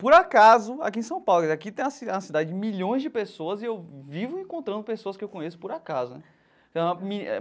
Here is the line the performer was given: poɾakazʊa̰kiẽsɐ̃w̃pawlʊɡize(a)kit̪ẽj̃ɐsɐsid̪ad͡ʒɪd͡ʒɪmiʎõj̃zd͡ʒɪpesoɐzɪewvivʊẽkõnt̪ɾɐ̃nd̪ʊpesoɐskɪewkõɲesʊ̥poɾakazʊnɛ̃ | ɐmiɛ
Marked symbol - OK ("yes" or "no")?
yes